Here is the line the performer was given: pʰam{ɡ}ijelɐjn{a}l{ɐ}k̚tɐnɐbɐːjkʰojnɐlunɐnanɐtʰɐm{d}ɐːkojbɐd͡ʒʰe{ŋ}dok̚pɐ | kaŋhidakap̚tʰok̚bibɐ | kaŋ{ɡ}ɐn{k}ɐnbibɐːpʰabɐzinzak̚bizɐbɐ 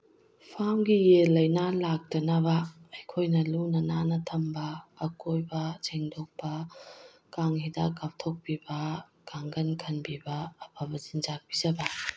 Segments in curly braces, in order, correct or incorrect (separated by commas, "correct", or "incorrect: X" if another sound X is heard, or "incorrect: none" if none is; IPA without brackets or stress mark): correct, correct, incorrect: a, incorrect: b, correct, correct, incorrect: kʰ